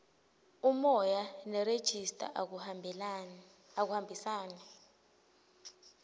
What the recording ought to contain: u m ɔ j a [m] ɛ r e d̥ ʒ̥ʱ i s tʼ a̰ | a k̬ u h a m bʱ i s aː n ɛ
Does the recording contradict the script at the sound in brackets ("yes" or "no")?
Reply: yes